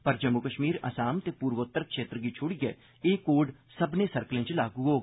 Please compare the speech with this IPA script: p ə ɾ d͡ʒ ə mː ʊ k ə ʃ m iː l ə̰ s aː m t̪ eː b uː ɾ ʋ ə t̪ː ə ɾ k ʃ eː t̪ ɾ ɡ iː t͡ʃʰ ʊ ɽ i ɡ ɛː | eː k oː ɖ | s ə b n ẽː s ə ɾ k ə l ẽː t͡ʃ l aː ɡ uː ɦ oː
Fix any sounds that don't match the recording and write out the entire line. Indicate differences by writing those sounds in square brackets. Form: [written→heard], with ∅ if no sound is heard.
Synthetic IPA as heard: p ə ɾ d͡ʒ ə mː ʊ k ə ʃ m iː [l→ɾ] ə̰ s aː m t̪ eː [b→p] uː ɾ ʋ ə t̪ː ə ɾ k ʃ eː t̪ ɾ ɡ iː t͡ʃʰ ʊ ɽ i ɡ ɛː | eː k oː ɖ | s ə b n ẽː s ə ɾ k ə l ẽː t͡ʃ l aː ɡ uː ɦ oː